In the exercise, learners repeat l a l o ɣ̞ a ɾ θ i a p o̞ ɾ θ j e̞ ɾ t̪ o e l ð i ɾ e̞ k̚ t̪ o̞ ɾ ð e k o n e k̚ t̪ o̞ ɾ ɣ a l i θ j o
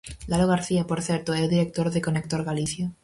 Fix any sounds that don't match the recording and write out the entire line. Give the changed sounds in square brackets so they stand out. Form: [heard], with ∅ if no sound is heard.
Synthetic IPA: l a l o ɣ̞ a ɾ θ i a p o̞ ɾ θ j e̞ ɾ t̪ o e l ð i ɾ e̞ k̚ t̪ o̞ ɾ ð e k o n e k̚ t̪ o̞ ɾ ɣ a l i θ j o